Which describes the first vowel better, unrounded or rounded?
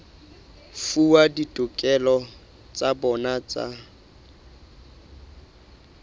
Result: rounded